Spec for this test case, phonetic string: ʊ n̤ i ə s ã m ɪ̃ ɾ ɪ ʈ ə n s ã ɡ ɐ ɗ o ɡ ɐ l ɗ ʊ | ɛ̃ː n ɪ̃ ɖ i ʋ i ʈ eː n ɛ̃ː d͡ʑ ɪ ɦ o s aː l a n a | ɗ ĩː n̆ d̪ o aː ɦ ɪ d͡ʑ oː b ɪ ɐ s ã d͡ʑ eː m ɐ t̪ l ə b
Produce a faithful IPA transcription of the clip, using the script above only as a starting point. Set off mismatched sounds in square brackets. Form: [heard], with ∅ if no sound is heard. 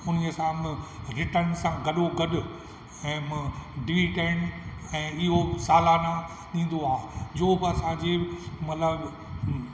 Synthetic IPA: ʊ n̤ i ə s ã m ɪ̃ ɾ ɪ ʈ ə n s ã ɡ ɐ ɗ o ɡ ɐ [∅] ɗ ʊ | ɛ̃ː [m] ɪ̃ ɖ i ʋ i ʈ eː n ɛ̃ː [∅] ɪ ɦ o s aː l a n a | ɗ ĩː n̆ d̪ o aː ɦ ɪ d͡ʑ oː b ɪ ɐ s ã d͡ʑ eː m ɐ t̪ l ə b